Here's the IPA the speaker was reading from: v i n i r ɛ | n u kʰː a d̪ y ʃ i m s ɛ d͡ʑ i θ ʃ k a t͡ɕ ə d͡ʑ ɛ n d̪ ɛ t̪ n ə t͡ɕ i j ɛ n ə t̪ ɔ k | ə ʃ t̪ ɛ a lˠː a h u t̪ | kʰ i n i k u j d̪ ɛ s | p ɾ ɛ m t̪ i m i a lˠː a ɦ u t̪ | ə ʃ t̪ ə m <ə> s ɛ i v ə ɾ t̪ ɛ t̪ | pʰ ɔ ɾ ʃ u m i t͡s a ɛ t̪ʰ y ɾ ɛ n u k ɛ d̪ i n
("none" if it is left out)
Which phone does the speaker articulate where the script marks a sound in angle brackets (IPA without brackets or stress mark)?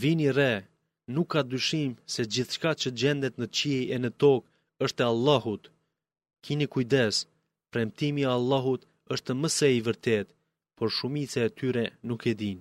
ə